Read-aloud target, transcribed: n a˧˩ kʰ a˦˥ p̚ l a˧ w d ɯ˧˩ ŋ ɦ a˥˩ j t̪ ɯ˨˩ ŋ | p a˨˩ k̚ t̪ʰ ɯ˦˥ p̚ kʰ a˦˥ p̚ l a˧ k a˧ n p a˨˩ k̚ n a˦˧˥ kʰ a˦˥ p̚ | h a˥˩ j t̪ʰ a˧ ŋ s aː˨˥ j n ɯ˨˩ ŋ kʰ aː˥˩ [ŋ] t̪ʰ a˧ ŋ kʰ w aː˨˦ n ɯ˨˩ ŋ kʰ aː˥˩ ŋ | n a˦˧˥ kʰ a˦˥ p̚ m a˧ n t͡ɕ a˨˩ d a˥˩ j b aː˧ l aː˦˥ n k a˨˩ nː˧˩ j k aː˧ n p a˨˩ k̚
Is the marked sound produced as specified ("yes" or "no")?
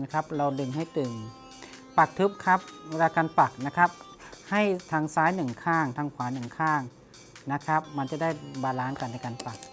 yes